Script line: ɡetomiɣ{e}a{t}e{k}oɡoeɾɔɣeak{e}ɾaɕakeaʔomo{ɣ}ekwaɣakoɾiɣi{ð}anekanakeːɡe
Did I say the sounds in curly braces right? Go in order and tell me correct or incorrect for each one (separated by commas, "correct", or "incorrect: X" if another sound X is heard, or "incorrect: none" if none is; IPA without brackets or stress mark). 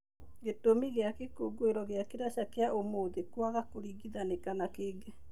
correct, incorrect: k, correct, correct, incorrect: ð, correct